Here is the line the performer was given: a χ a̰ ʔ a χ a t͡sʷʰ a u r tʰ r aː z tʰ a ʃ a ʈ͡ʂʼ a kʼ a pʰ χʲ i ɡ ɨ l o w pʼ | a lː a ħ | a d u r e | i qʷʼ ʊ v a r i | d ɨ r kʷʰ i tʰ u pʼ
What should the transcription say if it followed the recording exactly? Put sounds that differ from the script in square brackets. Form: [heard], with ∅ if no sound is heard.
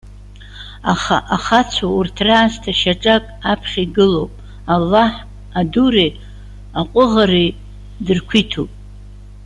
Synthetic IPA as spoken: a χ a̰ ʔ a χ a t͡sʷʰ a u r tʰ r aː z tʰ a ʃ a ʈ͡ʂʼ a kʼ a pʰ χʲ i ɡ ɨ l o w pʼ | a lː a ħ | a d u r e | [a] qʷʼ ʊ [ʁ] a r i | d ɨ r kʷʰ i tʰ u pʼ